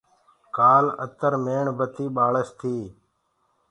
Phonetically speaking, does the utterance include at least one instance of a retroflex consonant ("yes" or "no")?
yes